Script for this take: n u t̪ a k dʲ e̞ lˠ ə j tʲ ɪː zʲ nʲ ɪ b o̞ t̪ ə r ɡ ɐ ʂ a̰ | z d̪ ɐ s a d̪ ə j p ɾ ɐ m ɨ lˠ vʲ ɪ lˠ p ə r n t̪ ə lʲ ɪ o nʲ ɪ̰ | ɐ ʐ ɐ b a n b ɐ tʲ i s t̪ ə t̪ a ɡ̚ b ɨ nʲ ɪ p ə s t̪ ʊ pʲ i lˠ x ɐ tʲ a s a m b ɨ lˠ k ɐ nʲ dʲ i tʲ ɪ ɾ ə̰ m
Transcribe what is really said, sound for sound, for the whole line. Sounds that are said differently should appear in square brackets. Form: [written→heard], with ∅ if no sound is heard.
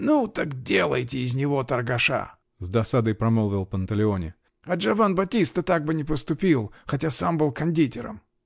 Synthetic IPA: n u t̪ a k dʲ e̞ lˠ ə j tʲ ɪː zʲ nʲ ɪ [b→v] o̞ t̪ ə r ɡ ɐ ʂ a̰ | z d̪ ɐ s a d̪ ə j p ɾ ɐ m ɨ lˠ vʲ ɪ lˠ p ə [r→∅] n t̪ ə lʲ ɪ o nʲ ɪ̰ | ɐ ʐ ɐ [b→v] a n b ɐ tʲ i s t̪ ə t̪ a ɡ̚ b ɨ nʲ ɪ p ə s t̪ ʊ pʲ i lˠ x ɐ tʲ a s a m b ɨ lˠ k ɐ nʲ dʲ i tʲ ɪ ɾ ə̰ m